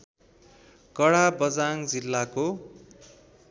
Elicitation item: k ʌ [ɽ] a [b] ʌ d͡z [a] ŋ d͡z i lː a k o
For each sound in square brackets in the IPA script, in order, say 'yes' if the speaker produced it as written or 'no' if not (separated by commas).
yes, yes, yes